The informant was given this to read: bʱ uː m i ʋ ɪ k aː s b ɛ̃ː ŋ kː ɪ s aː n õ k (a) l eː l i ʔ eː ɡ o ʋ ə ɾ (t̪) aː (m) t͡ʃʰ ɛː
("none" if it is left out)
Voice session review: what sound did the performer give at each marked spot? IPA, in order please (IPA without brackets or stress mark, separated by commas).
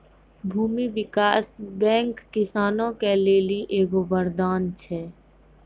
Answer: e, d̪, n